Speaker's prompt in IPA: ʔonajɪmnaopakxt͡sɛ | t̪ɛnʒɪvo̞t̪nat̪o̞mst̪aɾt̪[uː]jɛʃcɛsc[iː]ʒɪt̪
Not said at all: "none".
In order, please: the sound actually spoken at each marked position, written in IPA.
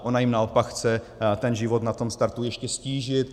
u, iː

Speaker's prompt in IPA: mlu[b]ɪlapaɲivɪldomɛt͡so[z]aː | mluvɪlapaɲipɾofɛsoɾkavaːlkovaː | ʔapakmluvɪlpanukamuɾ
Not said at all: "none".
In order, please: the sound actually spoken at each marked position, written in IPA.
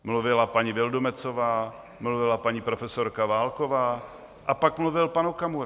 v, v

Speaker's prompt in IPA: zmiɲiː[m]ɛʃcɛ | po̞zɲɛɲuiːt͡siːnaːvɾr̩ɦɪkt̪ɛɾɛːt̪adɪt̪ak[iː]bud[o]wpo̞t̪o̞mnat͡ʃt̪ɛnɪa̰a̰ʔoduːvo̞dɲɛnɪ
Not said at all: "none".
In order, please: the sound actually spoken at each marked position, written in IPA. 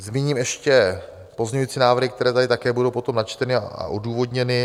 m, ɛː, o

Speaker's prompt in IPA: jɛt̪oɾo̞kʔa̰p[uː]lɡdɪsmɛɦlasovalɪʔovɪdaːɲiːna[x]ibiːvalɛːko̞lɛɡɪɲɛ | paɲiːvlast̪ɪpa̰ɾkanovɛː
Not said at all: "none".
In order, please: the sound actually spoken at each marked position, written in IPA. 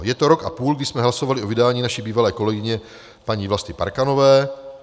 uː, ʃ

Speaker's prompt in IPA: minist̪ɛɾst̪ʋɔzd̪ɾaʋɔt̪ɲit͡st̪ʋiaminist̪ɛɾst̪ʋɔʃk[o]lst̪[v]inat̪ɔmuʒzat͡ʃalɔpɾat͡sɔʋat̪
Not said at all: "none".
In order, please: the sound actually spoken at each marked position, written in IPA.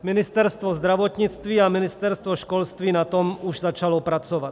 ɔ, ʋ

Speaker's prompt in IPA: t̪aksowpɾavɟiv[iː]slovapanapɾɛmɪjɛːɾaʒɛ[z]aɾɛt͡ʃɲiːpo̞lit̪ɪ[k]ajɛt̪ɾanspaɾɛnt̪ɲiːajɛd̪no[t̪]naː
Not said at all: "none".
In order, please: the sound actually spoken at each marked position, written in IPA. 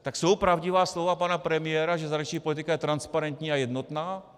aː, z, k, t̪

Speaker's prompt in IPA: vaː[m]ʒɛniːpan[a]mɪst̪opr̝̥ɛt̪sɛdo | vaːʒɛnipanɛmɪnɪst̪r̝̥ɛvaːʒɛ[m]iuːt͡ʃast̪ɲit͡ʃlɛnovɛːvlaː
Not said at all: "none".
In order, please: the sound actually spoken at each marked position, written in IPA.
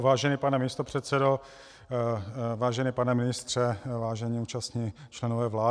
none, ɛ, ɲ

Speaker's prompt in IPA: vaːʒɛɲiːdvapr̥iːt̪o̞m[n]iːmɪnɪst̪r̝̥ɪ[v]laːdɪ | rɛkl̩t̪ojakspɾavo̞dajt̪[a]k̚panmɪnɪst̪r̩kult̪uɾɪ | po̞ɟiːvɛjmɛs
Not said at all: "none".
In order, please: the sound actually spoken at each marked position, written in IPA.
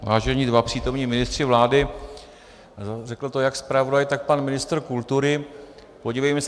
ɲ, v, a

